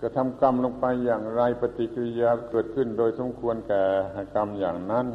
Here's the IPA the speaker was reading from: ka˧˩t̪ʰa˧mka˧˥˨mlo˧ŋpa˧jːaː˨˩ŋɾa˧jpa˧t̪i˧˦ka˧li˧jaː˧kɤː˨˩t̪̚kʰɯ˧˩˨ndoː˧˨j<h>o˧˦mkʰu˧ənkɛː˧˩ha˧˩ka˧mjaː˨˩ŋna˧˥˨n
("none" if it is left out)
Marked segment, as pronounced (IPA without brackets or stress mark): s